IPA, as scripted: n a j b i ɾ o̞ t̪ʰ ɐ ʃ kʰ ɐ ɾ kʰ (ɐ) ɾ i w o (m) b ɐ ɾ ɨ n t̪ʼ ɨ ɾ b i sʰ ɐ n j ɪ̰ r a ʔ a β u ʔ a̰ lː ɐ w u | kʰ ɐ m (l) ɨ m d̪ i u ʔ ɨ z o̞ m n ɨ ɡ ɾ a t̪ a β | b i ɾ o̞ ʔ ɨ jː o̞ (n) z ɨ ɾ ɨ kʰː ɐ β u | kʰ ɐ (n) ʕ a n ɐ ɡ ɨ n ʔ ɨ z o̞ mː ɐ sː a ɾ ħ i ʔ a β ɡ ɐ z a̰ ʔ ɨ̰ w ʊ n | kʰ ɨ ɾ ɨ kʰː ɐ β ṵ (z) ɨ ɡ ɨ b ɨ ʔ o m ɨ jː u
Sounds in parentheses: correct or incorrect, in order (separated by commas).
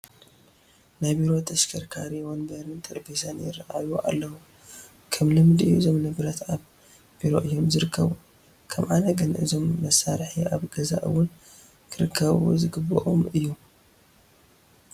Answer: incorrect, incorrect, correct, incorrect, incorrect, correct